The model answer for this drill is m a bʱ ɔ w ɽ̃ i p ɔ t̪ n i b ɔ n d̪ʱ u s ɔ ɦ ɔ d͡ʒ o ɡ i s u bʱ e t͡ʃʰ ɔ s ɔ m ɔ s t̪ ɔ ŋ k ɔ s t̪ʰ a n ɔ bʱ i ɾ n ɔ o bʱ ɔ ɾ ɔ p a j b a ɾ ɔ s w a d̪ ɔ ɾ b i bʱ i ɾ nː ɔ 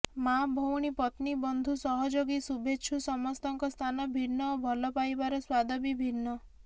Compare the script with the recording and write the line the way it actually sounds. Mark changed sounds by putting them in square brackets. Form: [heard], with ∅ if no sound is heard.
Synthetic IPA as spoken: m a bʱ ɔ w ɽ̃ i p ɔ t̪ n i b ɔ n d̪ʱ u s ɔ ɦ ɔ d͡ʒ o ɡ i s u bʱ e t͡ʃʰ [u] s ɔ m ɔ s t̪ ɔ ŋ k ɔ s t̪ʰ a n ɔ bʱ i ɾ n ɔ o bʱ ɔ [l] ɔ p a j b a ɾ ɔ s w a d̪ ɔ [∅] b i bʱ i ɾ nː ɔ